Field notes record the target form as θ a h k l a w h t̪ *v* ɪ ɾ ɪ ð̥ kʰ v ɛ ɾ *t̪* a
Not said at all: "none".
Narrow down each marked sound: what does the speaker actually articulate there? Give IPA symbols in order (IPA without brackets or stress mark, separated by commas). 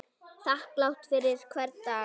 f, t̪